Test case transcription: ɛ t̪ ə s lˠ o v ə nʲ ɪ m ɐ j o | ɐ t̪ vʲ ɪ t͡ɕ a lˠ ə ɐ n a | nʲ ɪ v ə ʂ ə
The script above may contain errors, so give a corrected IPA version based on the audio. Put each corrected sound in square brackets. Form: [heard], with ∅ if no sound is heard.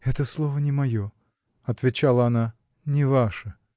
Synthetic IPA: ɛ t̪ ə s lˠ o v ə nʲ ɪ m ɐ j o | ɐ t̪ vʲ ɪ t͡ɕ a lˠ ə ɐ n a | nʲ ɪ v [a] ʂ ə